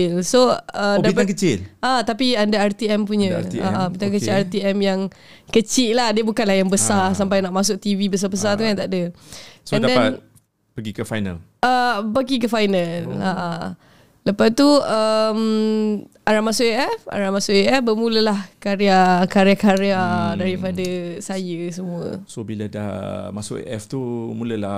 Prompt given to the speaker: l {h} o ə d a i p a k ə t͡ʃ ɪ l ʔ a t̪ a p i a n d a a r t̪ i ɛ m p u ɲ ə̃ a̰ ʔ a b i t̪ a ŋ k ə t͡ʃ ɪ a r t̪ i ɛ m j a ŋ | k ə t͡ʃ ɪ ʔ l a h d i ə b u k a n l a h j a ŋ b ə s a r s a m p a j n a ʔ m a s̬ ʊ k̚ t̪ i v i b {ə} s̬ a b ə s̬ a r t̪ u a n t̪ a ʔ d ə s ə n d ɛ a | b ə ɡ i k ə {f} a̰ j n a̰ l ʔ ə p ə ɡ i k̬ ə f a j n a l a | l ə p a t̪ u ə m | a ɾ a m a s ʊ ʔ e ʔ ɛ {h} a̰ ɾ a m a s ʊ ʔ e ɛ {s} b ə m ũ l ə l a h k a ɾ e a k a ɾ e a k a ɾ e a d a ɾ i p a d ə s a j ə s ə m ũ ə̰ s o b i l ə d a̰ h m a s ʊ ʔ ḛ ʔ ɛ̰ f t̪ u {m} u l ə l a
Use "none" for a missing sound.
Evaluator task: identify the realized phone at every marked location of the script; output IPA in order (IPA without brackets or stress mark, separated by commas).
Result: s, ə, f, f, f, m